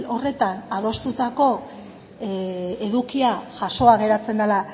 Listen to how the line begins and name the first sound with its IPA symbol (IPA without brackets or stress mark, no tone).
o̞